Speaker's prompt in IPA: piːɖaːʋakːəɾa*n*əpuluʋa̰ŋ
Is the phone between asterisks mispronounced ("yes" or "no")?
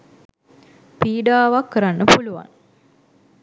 yes